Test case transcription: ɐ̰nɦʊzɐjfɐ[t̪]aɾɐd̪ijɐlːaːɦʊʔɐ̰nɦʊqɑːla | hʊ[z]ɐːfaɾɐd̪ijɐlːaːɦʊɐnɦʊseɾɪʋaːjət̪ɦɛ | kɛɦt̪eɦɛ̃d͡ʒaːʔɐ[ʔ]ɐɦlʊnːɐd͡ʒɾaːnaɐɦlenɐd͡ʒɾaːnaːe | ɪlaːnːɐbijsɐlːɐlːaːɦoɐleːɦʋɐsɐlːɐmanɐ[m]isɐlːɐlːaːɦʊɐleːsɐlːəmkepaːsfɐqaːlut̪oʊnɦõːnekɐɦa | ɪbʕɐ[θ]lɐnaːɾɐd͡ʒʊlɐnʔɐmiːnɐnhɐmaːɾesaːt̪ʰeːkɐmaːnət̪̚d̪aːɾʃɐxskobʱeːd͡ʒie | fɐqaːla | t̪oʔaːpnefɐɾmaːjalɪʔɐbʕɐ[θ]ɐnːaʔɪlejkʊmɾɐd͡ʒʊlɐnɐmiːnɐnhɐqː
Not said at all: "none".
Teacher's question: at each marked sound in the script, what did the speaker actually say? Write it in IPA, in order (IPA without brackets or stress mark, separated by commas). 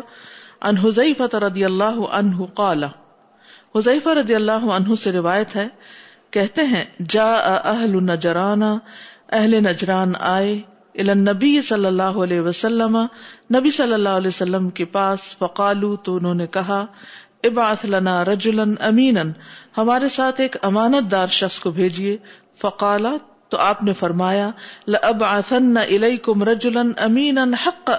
t̪, z, ʔ, b, θ, θ